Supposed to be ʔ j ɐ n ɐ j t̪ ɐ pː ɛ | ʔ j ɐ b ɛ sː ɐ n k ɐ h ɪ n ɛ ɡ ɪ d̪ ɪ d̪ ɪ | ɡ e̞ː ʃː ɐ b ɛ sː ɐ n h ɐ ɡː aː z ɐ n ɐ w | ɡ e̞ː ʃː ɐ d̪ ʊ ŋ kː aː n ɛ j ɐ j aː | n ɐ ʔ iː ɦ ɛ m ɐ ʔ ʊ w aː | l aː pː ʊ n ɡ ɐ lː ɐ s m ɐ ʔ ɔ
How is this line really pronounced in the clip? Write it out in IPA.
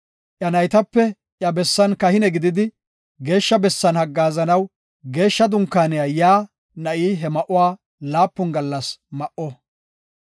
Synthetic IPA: ʔ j ɐ n ɐ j t̪ ɐ pː ɛ | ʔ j ɐ b ɛ sː ɐ n k ɐ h ɪ n ɛ ɡ ɪ d̪ ɪ d̪ ɪ | ɡ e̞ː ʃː ɐ b ɛ sː ɐ n h ɐ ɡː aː z ɐ n ɐ w | ɡ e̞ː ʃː ɐ d̪ ʊ ŋ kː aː n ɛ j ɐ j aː | n ɐ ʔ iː ɦ ɛ m ɐ ʔ ʊ w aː | l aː pː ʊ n ɡ ɐ lː ɐ s m ɐ ʔ ɔ